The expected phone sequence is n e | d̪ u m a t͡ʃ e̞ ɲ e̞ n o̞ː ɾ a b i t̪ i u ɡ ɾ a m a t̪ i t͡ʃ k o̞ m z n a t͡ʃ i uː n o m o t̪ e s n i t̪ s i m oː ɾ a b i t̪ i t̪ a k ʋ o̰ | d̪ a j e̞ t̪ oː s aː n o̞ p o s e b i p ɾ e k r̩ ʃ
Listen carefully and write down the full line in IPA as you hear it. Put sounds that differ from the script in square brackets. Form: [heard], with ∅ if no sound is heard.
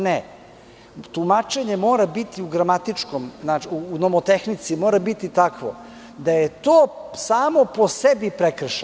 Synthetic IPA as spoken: n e | [t̪] u m a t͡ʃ e̞ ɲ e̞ [m] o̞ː ɾ a b i t̪ i u ɡ ɾ a m a t̪ i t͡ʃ k o̞ m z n a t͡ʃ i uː n o m o t̪ e [x] n i t̪ s i m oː ɾ a b i t̪ i t̪ a k ʋ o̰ | d̪ a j e̞ t̪ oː s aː [m] o̞ p o s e b i p ɾ e k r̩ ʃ